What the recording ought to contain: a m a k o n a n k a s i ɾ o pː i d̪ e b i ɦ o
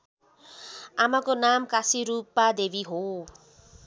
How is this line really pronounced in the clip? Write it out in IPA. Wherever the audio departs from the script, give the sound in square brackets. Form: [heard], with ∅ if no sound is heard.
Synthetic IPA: a m a k o n a [m] k a s i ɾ [u] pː [a] d̪ e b i ɦ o